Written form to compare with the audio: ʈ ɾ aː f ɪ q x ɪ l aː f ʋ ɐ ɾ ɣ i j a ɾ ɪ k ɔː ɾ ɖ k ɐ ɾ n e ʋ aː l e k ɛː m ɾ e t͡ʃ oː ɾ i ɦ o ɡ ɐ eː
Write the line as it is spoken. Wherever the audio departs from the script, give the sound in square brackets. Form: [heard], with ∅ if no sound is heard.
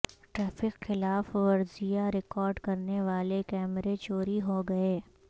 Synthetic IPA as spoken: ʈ ɾ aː f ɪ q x ɪ l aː f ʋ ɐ ɾ [z] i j a ɾ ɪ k ɔː ɾ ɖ k ɐ ɾ n e ʋ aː l e k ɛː m ɾ e t͡ʃ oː ɾ i ɦ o ɡ ɐ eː